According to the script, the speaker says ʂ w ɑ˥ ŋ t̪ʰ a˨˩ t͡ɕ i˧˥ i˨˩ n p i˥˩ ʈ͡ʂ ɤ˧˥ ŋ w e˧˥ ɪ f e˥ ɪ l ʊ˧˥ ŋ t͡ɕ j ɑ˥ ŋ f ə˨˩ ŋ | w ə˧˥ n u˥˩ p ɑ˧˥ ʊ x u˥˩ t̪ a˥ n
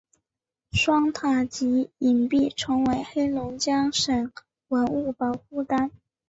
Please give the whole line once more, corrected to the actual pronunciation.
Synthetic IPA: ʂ w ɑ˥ ŋ t̪ʰ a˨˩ t͡ɕ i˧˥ i˨˩ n p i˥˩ ʈ͡ʂʰ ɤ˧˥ ŋ w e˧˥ ɪ x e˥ ɪ l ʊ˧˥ ŋ t͡ɕ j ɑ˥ ŋ ʂ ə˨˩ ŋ | w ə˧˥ n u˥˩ p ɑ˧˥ ʊ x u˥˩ t̪ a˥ n